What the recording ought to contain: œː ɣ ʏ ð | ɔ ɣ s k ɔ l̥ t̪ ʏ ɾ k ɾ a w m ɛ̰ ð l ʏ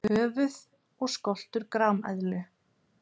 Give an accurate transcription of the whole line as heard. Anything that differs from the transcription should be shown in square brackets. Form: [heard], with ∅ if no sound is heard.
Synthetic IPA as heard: œː [v] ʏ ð | ɔ ɣ s k ɔ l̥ t̪ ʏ ɾ k ɾ a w m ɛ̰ ð l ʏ